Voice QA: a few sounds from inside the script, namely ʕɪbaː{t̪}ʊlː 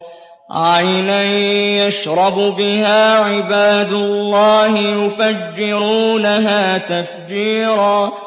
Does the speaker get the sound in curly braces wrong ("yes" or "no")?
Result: yes